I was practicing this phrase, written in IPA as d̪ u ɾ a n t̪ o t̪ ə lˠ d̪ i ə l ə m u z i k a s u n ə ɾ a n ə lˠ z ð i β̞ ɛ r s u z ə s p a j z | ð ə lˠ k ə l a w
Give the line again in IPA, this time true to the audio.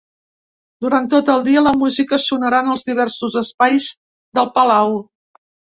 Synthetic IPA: d̪ u ɾ a n t̪ o t̪ ə lˠ d̪ i ə l ə m u z i k ə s u n ə ɾ a n ə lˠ z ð i β̞ ɛ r s u z ə s p a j z | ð ə lˠ p ə l a w